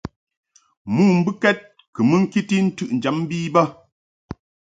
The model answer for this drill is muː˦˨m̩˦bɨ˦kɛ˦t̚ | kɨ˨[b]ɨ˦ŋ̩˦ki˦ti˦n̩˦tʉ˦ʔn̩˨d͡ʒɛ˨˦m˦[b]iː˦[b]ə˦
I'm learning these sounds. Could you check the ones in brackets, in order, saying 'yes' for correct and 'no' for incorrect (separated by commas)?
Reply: no, yes, yes